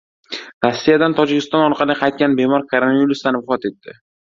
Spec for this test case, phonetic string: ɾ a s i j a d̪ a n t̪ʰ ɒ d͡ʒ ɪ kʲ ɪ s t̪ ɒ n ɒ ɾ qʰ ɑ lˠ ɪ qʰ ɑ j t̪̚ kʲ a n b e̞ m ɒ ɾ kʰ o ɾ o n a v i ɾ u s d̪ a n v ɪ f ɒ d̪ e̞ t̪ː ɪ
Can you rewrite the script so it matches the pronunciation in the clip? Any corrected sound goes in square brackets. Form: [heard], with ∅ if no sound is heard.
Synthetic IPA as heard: ɾ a [sː] i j a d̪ a n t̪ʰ ɒ d͡ʒ ɪ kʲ ɪ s t̪ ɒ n ɒ ɾ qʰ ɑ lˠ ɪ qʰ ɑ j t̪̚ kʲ a n b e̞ m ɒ ɾ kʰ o ɾ o n a v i ɾ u s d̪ a n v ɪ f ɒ [t̪] e̞ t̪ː ɪ